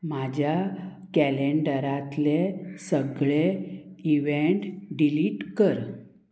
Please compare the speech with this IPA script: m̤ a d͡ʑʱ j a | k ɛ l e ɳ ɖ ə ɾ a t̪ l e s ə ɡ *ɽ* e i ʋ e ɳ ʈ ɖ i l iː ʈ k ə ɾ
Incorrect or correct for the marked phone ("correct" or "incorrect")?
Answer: incorrect